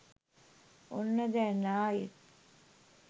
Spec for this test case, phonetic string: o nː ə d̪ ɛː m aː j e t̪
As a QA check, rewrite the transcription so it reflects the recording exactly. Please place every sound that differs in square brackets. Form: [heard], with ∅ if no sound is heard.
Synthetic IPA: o nː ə d̪ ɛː [n] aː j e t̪